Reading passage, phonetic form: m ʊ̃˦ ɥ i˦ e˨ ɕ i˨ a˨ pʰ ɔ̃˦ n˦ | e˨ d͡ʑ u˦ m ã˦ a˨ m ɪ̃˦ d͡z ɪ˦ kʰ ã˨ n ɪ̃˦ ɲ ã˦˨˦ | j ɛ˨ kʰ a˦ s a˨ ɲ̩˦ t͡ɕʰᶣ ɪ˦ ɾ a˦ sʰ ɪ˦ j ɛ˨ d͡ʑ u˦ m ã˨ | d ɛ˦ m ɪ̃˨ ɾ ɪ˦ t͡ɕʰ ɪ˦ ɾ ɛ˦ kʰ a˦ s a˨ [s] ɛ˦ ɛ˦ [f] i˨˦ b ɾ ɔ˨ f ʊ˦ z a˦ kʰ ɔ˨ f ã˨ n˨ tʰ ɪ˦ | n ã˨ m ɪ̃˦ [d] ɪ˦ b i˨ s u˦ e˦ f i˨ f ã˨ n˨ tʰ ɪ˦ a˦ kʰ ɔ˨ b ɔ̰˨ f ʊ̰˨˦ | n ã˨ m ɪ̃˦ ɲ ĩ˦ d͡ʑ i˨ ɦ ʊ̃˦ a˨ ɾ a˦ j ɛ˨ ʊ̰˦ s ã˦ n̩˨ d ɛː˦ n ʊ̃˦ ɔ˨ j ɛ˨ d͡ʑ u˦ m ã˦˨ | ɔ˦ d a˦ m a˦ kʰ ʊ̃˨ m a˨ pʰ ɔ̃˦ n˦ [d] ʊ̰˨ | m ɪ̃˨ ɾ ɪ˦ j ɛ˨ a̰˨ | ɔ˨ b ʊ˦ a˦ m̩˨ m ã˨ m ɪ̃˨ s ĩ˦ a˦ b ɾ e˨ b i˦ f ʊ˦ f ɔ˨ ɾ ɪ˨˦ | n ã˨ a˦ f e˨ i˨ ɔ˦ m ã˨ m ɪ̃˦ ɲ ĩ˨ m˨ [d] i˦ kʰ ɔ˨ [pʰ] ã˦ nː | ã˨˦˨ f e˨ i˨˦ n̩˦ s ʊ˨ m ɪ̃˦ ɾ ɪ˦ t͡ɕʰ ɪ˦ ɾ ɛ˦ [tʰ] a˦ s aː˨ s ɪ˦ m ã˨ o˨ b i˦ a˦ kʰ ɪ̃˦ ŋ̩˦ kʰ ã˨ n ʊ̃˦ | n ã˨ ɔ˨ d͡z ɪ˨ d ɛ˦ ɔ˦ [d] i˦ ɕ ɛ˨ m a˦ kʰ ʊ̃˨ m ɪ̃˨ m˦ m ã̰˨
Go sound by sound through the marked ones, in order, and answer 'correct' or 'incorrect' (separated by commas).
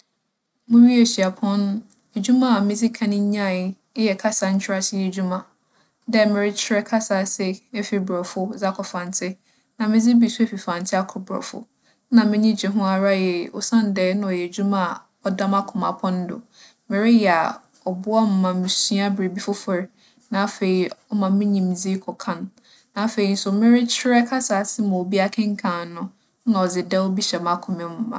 correct, correct, incorrect, correct, incorrect, incorrect, incorrect, incorrect